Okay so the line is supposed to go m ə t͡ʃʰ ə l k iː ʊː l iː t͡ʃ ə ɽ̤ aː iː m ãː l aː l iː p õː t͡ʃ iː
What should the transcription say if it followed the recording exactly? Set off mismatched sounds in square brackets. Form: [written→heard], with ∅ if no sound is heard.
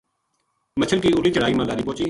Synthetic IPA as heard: m ə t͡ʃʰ ə l k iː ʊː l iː t͡ʃ ə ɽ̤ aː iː m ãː l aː [l→ɾ] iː p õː t͡ʃ iː